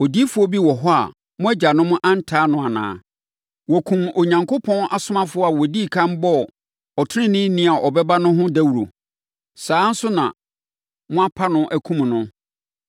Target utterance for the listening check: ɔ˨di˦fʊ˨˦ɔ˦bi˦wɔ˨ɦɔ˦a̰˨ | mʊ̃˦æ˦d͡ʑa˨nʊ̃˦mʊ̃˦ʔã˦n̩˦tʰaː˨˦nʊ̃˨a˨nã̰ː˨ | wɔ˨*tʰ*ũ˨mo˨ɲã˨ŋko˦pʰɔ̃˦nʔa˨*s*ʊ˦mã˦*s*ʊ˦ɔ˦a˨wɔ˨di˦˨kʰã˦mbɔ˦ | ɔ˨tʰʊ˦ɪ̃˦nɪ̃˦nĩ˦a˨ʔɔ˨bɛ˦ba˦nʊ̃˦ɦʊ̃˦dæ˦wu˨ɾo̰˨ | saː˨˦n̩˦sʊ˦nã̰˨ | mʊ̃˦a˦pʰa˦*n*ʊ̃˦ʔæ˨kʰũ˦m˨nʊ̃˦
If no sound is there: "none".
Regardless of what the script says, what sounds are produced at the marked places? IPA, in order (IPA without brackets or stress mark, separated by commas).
kʰ, s, f, n